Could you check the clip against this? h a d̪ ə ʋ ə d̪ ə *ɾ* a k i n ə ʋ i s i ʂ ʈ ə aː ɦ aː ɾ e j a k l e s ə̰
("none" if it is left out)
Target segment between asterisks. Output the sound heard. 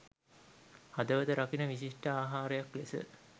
ɾ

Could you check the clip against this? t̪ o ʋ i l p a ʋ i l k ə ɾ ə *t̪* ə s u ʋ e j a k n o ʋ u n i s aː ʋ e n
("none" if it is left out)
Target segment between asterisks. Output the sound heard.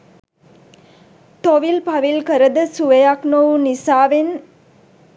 d̪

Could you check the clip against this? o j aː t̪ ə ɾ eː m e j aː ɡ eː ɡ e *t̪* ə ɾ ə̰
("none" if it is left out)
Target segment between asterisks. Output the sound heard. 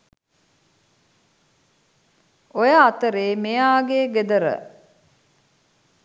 d̪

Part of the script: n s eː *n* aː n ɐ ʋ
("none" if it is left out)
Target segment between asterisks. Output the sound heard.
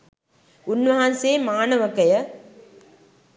m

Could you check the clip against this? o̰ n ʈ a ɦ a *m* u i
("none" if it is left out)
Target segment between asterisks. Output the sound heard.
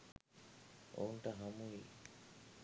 m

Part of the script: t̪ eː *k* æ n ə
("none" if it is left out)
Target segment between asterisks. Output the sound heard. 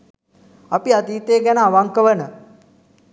ɡ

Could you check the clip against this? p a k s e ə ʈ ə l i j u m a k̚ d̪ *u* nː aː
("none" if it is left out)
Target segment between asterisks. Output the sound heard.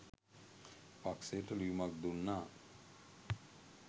u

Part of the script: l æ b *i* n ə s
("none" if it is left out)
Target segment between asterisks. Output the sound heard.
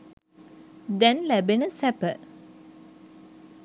e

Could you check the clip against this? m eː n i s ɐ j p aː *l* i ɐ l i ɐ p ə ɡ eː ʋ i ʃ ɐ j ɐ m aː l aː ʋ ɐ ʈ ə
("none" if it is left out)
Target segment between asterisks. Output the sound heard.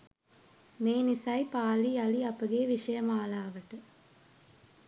l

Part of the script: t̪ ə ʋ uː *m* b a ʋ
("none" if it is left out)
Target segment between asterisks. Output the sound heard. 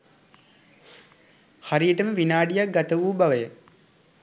none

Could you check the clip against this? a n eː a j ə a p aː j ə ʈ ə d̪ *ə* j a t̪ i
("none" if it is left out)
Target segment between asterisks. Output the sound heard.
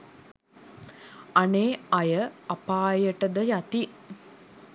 ə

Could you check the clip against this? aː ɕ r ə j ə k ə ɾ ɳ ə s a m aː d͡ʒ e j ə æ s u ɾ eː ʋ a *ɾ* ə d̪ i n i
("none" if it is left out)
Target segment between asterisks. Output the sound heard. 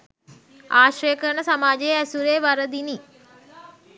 ɾ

